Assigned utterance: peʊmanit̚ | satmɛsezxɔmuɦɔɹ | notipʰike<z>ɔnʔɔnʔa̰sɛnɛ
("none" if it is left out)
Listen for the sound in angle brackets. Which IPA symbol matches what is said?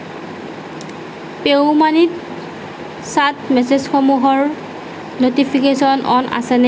s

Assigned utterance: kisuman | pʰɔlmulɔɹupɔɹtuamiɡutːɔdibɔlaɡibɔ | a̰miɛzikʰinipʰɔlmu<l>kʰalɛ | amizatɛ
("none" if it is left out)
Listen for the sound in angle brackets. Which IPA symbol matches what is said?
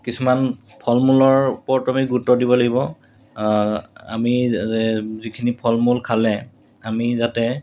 l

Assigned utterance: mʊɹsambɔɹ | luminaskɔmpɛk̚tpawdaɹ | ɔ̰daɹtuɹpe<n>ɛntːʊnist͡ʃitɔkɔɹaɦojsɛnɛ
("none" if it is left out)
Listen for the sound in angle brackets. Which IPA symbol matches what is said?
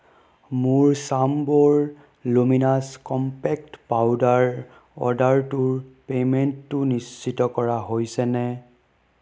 m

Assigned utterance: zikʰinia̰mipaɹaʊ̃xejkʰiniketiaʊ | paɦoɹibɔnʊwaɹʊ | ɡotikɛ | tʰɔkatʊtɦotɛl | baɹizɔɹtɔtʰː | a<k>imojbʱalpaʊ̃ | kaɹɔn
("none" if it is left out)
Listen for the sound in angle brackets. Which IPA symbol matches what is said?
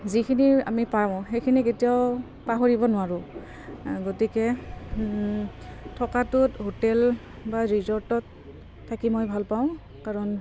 k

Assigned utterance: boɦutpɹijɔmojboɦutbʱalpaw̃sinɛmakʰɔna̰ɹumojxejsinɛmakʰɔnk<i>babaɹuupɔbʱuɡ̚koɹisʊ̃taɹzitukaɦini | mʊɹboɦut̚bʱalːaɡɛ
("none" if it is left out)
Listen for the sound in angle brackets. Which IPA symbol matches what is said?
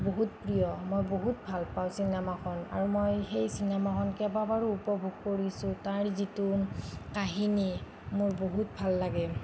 ɛ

